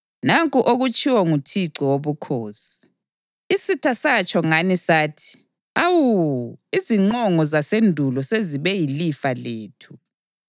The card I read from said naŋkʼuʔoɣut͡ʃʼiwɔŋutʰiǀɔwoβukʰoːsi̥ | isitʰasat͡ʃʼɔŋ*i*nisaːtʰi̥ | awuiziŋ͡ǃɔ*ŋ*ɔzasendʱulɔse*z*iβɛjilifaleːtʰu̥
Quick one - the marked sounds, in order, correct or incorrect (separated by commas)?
incorrect, correct, correct